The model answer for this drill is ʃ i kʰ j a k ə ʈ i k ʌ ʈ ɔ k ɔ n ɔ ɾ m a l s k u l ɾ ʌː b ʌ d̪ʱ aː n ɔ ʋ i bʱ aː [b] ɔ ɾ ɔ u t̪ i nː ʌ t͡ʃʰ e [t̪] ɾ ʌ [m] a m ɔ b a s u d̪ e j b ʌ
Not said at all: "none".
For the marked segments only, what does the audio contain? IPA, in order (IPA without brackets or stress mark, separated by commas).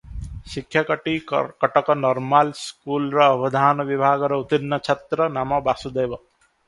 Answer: ɡ, t̪, n